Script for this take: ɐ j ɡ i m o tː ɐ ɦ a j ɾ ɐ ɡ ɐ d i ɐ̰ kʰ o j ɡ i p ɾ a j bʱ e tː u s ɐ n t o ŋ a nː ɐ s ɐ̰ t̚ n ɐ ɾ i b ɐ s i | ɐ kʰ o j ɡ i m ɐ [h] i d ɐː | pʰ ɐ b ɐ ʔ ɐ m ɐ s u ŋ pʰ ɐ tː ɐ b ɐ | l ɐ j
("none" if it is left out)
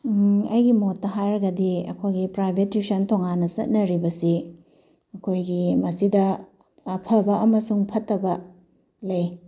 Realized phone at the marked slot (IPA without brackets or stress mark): s